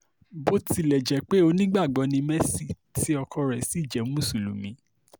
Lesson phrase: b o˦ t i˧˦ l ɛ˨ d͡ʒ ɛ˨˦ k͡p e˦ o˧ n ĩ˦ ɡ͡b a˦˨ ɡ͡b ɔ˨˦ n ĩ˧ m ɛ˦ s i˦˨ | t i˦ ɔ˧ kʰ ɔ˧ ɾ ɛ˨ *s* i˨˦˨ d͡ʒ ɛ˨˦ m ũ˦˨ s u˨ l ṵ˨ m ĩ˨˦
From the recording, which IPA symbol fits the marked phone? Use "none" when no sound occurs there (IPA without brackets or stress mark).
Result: s